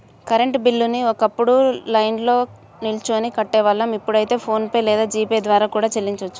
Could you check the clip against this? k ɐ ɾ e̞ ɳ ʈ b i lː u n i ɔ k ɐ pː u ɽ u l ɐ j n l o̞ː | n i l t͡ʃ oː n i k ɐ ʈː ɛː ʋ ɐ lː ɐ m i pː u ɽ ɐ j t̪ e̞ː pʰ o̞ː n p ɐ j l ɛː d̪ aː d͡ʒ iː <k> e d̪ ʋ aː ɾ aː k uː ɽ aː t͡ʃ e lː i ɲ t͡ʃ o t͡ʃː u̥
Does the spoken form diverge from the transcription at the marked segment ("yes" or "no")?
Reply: yes